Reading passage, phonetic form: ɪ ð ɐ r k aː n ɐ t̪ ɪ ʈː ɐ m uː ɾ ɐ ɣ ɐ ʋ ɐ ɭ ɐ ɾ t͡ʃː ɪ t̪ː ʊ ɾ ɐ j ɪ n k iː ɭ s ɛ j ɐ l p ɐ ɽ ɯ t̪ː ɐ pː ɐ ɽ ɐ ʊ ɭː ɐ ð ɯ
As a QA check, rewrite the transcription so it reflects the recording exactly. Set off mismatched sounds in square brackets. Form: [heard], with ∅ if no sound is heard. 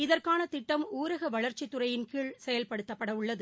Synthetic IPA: ɪ ð ɐ r k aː n ɐ t̪ ɪ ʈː ɐ m uː ɾ ɐ ɣ ɐ ʋ ɐ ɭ ɐ ɾ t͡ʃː ɪ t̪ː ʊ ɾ ɐ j ɪ n k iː ɭ s ɛ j ɐ l p ɐ ɽ ɯ t̪ː ɐ pː ɐ ɽ ɐ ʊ ɭː ɐ ð ɯ